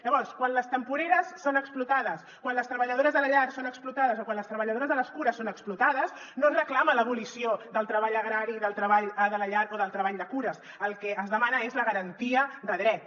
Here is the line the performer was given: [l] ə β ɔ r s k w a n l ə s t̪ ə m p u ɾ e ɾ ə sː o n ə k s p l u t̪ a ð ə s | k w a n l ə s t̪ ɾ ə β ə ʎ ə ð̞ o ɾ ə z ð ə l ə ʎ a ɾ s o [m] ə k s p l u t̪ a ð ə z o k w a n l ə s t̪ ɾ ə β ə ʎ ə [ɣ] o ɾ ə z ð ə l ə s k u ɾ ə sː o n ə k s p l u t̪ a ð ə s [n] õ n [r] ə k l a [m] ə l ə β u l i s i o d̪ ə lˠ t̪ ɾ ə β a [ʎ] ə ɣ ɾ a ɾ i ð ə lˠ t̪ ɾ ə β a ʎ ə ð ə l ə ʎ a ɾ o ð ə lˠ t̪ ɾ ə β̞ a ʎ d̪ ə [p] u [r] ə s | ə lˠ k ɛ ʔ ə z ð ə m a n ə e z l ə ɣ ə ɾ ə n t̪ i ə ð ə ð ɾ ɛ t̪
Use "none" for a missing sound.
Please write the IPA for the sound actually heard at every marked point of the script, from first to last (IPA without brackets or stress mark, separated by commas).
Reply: ʎ, n, ð, n, r, m, ʎ, k, ɾ